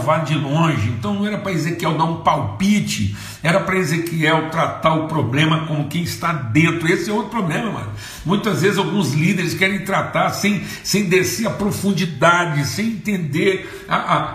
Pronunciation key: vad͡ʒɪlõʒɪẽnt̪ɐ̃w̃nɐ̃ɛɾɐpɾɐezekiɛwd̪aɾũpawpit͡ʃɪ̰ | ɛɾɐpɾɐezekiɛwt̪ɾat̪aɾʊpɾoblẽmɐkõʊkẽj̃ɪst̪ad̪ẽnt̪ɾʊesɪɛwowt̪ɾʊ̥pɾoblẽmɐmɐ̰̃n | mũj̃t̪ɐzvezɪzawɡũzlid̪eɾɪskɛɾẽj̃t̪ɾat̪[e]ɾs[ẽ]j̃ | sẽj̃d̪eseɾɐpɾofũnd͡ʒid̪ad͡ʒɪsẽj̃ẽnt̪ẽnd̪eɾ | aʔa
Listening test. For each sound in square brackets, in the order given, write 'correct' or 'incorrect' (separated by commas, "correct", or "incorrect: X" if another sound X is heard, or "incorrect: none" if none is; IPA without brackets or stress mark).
incorrect: a, correct